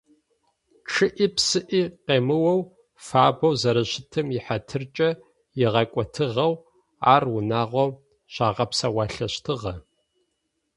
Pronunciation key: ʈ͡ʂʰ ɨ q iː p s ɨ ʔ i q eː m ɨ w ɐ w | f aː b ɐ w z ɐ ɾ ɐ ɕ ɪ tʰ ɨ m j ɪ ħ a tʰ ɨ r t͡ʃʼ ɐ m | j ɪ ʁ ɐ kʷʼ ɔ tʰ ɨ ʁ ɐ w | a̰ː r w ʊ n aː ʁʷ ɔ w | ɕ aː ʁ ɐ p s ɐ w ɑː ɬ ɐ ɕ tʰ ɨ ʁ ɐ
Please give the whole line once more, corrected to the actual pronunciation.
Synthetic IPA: ʈ͡ʂʰ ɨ ʔ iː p s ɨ ʔ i q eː m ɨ w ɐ w | f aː b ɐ w z ɐ ɾ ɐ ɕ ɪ tʰ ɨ m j ɪ ħ a tʰ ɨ r t͡ʃʼ ɐ | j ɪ ʁ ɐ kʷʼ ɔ tʰ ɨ ʁ ɐ w | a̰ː r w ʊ n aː ʁʷ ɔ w | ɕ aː ʁ ɐ p s ɐ w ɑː ɬ ɐ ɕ tʰ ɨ ʁ ɐ